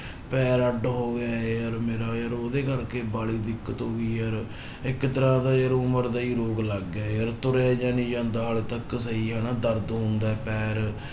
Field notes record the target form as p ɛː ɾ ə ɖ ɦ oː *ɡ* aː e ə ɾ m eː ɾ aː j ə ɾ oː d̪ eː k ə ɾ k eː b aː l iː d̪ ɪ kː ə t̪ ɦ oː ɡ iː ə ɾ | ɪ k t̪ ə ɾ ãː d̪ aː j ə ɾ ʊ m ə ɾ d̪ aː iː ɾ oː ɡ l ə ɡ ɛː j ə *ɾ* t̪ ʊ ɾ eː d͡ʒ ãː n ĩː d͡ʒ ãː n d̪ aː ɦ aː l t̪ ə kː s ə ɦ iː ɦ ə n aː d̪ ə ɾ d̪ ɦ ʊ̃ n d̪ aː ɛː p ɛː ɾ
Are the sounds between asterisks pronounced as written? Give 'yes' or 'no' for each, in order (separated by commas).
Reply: yes, yes